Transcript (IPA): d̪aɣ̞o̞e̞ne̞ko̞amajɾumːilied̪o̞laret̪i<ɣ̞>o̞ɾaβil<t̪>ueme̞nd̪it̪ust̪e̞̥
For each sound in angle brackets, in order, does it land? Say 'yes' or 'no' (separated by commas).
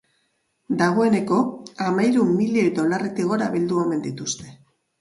yes, no